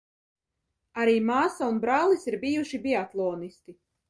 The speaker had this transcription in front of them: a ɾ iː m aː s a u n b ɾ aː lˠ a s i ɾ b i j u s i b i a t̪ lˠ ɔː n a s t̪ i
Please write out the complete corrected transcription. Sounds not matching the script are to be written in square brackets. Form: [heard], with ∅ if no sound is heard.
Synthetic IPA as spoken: a ɾ iː m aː s a u n b ɾ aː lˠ [i] s i ɾ b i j u [ʃ] i b i a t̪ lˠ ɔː n [i] s t̪ i